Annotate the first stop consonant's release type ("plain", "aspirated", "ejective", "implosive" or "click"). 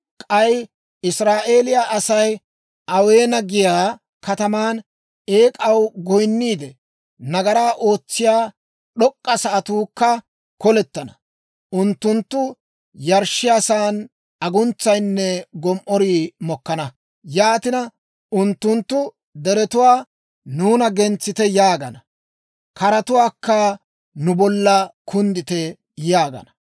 ejective